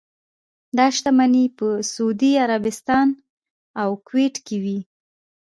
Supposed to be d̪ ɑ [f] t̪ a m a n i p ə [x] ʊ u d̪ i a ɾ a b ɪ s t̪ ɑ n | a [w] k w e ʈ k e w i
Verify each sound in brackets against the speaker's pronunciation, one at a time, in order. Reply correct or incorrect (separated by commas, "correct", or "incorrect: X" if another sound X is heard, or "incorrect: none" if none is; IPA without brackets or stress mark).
incorrect: ʃ, incorrect: s, correct